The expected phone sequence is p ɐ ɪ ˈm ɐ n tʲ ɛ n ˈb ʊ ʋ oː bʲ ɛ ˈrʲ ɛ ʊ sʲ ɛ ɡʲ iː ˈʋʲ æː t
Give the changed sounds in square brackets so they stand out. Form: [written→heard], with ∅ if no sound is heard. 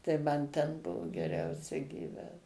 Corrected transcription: [p→t] ɐ ɪ ˈm ɐ n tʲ ɛ n ˈb ʊ ʋ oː [bʲ→ɡʲ] ɛ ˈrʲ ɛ ʊ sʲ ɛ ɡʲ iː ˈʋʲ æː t